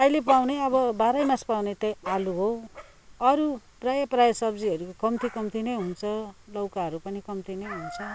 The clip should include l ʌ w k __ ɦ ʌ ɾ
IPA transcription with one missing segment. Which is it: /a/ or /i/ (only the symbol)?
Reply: a